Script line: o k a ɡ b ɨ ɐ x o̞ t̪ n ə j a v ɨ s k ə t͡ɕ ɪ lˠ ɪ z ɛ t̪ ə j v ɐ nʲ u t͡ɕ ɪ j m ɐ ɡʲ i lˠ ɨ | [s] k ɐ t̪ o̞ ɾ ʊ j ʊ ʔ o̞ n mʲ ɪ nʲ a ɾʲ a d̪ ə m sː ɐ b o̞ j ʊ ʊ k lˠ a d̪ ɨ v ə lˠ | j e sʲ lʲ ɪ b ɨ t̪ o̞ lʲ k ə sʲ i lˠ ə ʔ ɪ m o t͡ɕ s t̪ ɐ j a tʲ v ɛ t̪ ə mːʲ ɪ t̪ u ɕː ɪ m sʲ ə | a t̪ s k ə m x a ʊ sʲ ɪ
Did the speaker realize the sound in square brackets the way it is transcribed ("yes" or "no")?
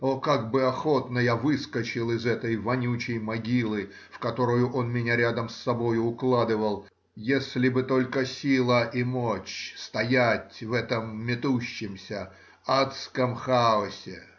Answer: no